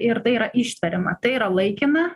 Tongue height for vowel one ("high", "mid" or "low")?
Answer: high